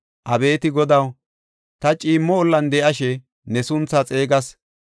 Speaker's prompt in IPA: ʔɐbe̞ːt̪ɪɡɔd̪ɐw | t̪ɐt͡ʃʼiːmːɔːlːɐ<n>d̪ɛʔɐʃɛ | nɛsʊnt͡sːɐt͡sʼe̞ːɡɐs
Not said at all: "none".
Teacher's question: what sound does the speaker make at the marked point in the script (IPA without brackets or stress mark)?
n